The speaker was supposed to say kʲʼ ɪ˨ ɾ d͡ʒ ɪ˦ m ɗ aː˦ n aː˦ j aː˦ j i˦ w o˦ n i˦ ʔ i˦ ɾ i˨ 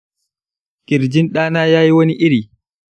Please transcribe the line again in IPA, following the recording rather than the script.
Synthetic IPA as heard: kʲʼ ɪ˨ ɾ d͡ʒ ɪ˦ n ɗ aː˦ n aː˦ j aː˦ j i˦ w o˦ n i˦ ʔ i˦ ɾ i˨